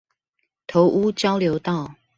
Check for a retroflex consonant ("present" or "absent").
absent